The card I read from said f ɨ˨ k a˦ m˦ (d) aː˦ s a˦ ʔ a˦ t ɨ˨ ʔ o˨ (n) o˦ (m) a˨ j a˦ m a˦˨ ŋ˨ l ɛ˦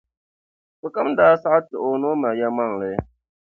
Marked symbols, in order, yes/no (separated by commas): yes, yes, yes